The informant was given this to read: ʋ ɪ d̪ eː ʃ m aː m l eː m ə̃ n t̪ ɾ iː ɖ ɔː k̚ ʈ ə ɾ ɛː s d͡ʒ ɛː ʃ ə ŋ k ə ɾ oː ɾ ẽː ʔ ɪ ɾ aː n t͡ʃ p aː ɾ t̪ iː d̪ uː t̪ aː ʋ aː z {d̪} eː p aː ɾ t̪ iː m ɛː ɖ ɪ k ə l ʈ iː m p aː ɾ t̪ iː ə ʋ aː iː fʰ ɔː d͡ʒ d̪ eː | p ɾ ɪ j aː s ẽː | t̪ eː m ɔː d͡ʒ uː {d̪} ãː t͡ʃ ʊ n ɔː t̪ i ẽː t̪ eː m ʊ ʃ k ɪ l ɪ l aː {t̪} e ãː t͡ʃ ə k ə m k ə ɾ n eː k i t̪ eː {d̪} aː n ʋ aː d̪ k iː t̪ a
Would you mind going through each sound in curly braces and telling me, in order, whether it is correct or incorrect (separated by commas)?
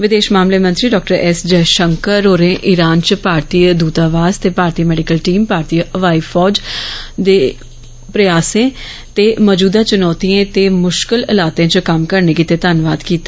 incorrect, correct, correct, incorrect